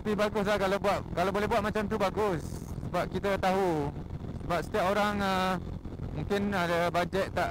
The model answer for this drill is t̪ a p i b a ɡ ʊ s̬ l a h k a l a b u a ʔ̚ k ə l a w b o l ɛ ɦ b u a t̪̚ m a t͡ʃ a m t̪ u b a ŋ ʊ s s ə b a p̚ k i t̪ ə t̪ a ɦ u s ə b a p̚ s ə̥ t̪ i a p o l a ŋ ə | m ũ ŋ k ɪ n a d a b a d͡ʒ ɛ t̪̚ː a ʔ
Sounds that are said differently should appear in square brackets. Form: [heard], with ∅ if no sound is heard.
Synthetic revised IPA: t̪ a p i b a ɡ ʊ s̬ l a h k a l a b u a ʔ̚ k [a] l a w b o l ɛ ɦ b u a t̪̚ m a t͡ʃ a m t̪ u b a [ɡ] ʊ s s ə b a p̚ k i t̪ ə t̪ a ɦ u s ə b a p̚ s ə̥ t̪ i a p o [ɾ] a ŋ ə | m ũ ŋ k ɪ n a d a b a d͡ʒ ɛ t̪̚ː a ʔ